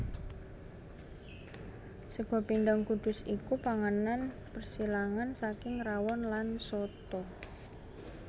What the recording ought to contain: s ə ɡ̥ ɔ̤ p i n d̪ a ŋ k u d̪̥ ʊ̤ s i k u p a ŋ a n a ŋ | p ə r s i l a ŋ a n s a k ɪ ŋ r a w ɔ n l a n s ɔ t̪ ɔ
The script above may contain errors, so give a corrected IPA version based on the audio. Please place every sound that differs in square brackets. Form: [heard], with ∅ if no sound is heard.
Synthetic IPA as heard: s ə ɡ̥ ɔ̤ p i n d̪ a ŋ k u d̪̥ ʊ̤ s i k u p a ŋ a n a [n] | p ə r s i l a ŋ a n s a k ɪ ŋ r a w ɔ n l a n s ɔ t̪ ɔ